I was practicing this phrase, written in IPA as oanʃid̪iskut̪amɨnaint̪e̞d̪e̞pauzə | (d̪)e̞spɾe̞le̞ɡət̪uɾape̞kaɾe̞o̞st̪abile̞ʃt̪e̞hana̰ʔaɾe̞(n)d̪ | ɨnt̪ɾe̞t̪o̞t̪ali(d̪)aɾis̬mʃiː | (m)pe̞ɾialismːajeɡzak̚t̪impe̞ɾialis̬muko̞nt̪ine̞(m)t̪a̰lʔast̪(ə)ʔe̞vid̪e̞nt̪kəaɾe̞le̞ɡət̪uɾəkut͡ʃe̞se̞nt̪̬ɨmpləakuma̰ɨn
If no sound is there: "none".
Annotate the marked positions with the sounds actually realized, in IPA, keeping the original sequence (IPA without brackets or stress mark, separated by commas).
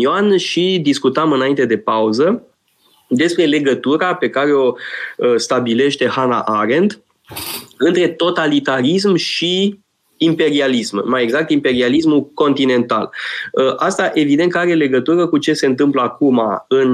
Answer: d̪, n, t̪, m, n, a